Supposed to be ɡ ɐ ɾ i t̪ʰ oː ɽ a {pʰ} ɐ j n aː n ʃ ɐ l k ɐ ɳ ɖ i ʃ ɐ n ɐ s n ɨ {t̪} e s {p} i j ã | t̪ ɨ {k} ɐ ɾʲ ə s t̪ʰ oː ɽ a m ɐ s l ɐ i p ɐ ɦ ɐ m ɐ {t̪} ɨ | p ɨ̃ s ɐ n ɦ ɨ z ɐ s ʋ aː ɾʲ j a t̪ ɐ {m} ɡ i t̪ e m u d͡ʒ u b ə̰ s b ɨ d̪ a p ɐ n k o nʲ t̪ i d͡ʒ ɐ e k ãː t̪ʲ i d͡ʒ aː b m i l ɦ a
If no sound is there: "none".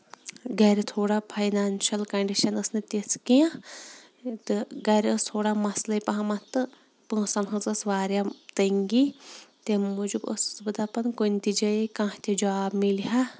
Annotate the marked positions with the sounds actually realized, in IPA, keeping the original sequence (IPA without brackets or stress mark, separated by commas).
pʰ, t̪, k, ɡ, t̪, ŋ